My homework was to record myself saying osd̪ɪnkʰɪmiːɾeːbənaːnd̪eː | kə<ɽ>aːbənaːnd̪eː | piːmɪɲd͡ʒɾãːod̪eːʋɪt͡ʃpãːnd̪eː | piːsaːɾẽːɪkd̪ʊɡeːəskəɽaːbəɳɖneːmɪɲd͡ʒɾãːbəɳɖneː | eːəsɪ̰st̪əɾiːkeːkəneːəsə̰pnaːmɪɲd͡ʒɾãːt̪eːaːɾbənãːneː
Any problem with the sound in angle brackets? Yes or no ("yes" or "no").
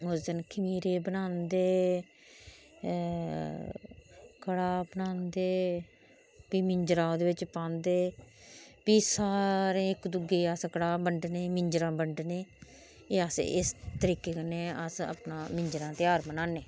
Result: no